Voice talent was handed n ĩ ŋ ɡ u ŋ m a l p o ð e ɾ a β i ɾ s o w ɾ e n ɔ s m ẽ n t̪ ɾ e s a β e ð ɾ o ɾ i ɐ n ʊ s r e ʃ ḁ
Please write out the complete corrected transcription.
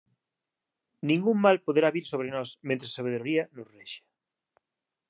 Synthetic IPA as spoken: n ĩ ŋ ɡ u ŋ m a l p o ð e ɾ a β i ɾ s o β ɾ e n ɔ s m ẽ n t̪ ɾ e s a β e ð ɾ o ɾ i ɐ n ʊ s r e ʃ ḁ